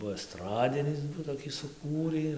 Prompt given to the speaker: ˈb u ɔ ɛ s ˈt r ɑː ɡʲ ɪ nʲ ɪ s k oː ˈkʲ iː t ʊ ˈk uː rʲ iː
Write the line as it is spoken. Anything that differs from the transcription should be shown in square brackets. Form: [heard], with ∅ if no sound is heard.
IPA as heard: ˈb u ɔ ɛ s ˈt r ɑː [dʲ] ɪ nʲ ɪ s [t] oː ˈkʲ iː [s] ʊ ˈk uː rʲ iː

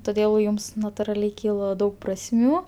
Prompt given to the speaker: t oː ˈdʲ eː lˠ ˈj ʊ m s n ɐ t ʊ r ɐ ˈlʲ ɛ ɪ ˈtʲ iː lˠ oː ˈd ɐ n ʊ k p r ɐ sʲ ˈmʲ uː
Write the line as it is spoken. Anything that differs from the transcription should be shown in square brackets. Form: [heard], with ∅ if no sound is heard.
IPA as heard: t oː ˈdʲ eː lˠ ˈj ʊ m s n ɐ t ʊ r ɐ ˈlʲ ɛ ɪ [ˈkʲ] iː lˠ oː ˈd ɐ [∅] ʊ k p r ɐ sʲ ˈmʲ uː

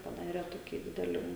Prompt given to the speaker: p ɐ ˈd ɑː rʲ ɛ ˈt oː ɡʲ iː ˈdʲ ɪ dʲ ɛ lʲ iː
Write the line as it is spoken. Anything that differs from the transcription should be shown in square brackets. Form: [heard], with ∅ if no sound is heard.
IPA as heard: p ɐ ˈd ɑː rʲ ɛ ˈt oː [kʲ] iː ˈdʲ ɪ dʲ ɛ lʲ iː

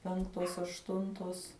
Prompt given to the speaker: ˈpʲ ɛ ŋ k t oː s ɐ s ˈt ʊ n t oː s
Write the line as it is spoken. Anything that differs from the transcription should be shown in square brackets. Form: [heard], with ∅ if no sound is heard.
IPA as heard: ˈpʲ ɛ ŋ k t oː s ɐ [ʃ] ˈt ʊ n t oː s

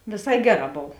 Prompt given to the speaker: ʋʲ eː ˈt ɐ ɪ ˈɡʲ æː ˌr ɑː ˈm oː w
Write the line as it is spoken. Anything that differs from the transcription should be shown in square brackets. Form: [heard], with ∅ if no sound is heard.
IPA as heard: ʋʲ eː [ˈs] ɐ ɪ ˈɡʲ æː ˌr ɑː [ˈb] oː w

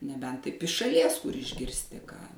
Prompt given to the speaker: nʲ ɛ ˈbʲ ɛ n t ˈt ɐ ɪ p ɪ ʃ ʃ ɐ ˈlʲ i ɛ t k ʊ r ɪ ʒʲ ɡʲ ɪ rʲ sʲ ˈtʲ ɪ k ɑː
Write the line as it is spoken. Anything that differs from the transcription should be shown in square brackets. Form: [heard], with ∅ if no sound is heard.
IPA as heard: nʲ ɛ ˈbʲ ɛ n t ˈt ɐ ɪ p ɪ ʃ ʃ ɐ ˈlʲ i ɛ [s] k ʊ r ɪ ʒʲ ɡʲ ɪ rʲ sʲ ˈtʲ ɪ k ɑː

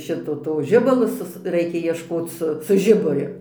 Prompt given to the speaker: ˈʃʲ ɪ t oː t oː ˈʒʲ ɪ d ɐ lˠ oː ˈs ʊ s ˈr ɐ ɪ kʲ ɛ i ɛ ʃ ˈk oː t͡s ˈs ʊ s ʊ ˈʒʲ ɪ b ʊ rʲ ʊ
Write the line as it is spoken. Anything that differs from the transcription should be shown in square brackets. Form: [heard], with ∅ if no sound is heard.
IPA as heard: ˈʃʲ ɪ t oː t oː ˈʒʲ ɪ [b] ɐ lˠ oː ˈs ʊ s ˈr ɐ ɪ kʲ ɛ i ɛ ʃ ˈk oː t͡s ˈs ʊ s ʊ ˈʒʲ ɪ b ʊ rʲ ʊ

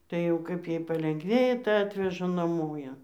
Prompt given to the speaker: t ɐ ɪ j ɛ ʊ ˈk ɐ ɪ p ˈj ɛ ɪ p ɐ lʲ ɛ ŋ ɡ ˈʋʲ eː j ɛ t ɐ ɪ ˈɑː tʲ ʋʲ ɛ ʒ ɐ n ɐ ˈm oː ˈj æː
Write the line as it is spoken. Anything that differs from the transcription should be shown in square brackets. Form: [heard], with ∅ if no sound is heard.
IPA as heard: t ɐ ɪ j ɛ ʊ ˈk ɐ ɪ p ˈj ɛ ɪ p ɐ lʲ ɛ ŋ ɡ ˈʋʲ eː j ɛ t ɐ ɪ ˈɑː tʲ ʋʲ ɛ ʒ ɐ n ɐ ˈm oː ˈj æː

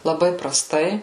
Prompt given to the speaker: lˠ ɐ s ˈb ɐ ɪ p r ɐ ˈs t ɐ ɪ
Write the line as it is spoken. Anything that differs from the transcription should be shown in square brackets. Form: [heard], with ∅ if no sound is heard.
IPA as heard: lˠ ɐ [∅] ˈb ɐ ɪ p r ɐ ˈs t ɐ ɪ

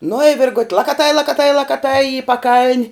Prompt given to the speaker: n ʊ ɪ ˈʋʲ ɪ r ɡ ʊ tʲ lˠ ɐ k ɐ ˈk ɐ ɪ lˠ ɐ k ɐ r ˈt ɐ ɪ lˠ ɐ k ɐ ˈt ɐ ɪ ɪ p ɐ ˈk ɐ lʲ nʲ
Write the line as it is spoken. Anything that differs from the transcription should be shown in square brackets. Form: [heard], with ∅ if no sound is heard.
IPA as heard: n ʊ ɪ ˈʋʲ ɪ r ɡ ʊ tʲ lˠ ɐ k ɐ [ˈt] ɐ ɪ lˠ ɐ k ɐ [∅] ˈt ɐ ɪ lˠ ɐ k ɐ ˈt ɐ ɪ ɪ p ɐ ˈk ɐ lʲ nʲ

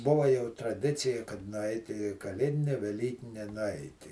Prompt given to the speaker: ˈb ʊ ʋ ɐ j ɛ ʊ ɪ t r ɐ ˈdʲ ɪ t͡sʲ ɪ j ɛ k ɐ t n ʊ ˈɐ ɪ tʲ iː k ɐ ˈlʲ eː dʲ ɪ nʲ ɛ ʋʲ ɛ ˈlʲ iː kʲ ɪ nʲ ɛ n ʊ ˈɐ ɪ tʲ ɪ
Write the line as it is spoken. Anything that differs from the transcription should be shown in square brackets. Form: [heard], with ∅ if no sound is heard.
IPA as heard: ˈb ʊ ʋ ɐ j ɛ ʊ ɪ t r ɐ ˈdʲ ɪ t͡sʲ ɪ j ɛ k ɐ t n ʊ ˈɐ ɪ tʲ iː k ɐ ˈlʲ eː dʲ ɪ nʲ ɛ ʋʲ ɛ ˈlʲ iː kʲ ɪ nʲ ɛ n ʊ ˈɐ ɪ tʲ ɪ

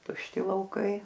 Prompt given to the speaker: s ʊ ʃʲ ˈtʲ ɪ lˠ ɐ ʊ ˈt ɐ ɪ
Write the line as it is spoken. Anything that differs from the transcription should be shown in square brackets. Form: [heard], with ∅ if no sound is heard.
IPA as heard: [t] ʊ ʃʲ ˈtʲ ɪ lˠ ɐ ʊ [ˈk] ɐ ɪ

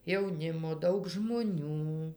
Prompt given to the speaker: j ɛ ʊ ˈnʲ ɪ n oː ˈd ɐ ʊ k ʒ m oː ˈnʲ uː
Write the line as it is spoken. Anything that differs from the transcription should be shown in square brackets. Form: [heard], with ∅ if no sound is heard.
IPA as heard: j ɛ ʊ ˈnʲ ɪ [m] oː ˈd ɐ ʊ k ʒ m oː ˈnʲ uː

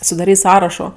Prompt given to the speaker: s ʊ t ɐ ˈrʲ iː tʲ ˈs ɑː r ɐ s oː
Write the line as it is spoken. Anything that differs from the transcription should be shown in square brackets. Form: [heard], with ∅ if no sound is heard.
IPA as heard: s ʊ [d] ɐ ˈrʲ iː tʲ ˈs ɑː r ɐ [ʃ] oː

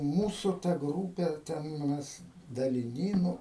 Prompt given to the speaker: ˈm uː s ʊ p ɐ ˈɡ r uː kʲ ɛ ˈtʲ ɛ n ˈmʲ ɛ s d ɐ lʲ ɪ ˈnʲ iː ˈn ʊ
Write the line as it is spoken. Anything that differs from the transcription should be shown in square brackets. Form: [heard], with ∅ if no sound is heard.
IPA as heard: ˈm uː s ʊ [t] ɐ ˈɡ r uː [pʲ] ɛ ˈtʲ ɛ n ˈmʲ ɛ s d ɐ lʲ ɪ ˈnʲ iː ˈn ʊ

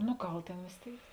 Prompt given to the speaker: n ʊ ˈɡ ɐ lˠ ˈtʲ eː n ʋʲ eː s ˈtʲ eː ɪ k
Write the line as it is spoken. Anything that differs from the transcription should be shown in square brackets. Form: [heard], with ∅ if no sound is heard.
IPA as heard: n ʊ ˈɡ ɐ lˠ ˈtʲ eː n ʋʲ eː s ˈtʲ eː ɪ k

